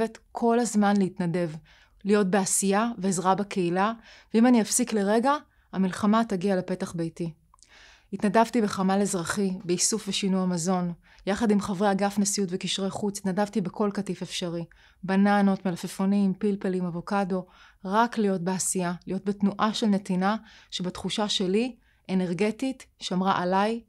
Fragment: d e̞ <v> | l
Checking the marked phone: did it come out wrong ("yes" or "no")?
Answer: no